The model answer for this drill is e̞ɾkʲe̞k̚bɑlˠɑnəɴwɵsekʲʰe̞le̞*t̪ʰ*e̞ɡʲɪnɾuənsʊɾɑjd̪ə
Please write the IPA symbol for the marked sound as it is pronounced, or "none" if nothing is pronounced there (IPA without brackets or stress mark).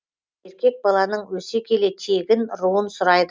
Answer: t̪ʰ